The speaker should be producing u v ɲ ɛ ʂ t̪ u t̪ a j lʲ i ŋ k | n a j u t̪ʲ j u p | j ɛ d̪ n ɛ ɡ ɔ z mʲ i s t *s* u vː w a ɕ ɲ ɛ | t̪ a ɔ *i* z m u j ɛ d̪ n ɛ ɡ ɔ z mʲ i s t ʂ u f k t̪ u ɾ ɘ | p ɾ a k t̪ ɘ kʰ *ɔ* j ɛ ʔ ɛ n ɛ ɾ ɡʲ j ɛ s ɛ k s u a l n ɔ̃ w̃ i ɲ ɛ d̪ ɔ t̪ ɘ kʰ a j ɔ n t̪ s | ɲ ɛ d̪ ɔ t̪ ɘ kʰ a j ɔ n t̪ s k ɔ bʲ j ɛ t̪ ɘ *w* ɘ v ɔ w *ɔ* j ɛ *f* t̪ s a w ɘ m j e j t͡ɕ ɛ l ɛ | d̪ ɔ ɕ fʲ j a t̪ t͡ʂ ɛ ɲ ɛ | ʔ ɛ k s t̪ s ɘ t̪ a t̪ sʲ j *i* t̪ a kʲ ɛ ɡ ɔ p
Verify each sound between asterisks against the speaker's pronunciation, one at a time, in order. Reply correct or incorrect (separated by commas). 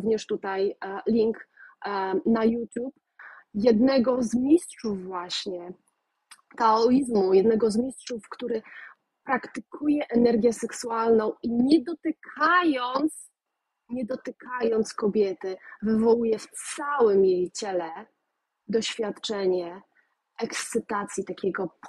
incorrect, correct, incorrect, incorrect, incorrect, correct, correct